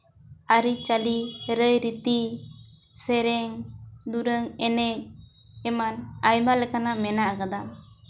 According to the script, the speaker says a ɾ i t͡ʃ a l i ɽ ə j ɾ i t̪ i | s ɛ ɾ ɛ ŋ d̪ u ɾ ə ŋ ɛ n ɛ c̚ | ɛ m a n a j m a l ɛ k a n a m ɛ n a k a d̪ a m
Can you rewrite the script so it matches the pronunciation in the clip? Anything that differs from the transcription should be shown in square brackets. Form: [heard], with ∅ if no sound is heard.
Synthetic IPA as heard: a ɾ i t͡ʃ a l i [ɾ] ə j ɾ i t̪ i | s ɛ ɾ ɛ ŋ d̪ u ɾ ə ŋ ɛ n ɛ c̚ | ɛ m a n a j m a l ɛ k a n a m ɛ n a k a d̪ a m